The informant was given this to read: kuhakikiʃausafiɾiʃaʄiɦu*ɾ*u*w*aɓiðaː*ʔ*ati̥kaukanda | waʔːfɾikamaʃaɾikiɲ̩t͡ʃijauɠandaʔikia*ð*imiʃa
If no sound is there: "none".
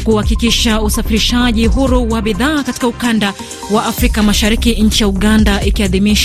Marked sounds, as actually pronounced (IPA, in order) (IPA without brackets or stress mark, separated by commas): ɾ, w, k, ð